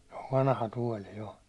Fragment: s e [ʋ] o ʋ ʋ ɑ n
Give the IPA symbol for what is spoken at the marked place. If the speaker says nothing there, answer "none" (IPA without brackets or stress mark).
none